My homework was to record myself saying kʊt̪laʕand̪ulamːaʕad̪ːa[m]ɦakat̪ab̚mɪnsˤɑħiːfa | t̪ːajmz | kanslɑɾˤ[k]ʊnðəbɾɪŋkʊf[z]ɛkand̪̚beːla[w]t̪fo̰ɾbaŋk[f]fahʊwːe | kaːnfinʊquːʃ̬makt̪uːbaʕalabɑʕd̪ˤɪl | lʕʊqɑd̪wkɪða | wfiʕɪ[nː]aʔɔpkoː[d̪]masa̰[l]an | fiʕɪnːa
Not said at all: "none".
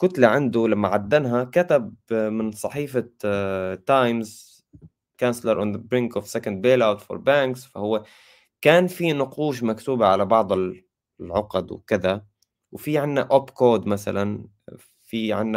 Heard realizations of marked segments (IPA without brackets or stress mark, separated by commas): n, ʔ, s, w, s, nː, d̪, l